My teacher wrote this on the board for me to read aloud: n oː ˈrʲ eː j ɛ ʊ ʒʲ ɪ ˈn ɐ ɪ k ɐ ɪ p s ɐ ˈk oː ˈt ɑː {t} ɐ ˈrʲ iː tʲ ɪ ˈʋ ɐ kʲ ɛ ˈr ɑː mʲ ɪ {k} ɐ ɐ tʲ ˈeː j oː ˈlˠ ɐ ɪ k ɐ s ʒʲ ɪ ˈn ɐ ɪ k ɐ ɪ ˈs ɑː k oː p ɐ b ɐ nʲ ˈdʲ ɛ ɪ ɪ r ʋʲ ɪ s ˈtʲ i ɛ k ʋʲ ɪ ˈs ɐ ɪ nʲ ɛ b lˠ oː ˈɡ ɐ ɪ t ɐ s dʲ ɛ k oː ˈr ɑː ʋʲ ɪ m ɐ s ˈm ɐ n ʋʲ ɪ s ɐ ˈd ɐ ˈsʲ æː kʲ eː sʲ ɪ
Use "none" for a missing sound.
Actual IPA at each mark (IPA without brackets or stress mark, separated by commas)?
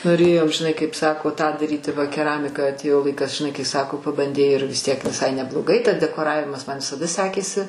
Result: d, k